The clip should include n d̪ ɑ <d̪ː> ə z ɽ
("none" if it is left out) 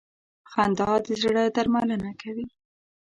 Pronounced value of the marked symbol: d̪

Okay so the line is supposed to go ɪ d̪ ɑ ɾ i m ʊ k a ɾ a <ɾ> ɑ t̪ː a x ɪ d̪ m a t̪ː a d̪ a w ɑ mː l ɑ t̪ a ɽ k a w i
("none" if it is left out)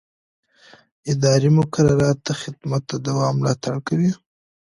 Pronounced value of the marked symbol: ɾ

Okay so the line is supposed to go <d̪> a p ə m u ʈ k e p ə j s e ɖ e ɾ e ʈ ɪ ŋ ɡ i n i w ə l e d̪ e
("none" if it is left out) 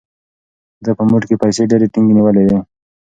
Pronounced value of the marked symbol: d̪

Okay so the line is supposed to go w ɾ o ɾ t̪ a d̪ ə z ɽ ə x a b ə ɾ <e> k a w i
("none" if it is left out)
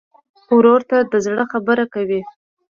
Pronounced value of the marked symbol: a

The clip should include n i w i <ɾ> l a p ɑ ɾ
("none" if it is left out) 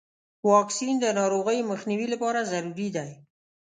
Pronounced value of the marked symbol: none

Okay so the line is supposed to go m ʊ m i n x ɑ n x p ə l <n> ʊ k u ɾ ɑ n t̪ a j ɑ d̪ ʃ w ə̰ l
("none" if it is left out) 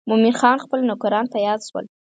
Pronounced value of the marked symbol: n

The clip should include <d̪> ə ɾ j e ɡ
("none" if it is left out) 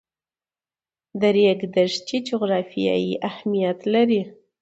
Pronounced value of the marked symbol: d̪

